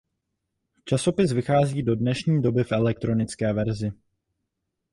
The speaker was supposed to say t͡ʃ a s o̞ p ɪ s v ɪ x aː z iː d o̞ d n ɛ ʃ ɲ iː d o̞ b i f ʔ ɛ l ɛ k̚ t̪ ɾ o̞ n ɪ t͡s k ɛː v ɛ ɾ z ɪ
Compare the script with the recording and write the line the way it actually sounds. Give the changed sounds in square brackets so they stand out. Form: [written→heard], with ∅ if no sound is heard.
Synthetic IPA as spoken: t͡ʃ a s o̞ p ɪ s v ɪ x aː z iː d o̞ d n ɛ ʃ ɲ iː d o̞ b [i→ɪ] f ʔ ɛ l ɛ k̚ t̪ ɾ o̞ n ɪ t͡s k ɛː v ɛ ɾ z ɪ